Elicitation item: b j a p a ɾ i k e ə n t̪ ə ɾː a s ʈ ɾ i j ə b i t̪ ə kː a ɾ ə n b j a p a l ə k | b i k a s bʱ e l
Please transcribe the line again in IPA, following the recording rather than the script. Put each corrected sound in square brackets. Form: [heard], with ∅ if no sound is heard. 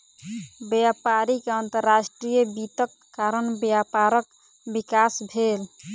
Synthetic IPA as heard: b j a p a ɾ i k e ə n t̪ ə ɾː a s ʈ ɾ i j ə b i t̪ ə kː a ɾ ə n b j a p a [ɾ] ə k | b i k a s bʱ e l